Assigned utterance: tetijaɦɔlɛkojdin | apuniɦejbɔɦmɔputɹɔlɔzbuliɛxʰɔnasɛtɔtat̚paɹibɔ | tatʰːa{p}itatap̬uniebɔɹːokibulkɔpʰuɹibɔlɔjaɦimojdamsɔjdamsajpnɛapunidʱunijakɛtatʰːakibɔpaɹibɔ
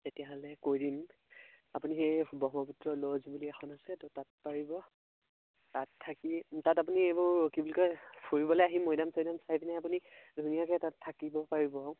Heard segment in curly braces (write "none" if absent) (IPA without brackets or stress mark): k